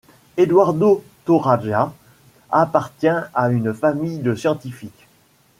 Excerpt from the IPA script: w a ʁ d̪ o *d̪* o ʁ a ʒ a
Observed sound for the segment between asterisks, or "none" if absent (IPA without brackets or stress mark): t̪